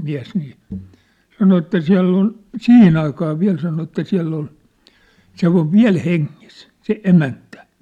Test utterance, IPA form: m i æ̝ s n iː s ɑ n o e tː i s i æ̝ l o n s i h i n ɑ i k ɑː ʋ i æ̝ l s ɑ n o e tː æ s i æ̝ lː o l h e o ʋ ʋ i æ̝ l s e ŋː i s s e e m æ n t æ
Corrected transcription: m i æ̝ s n iː s ɑ n o e tː æ s i æ̝ lː o n s i h i n ɑ i k ɑː ʋ i æ̝ l s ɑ n o e tː æ s i æ̝ lː o l s e o ʋ ʋ i æ̝ l h e ŋː i s s e e m æ n t æ